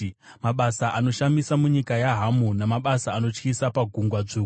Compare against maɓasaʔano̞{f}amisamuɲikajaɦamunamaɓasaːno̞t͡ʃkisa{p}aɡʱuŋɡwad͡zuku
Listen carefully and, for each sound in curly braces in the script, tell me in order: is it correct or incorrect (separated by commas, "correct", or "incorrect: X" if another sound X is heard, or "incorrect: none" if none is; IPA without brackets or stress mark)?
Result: incorrect: ʃ, correct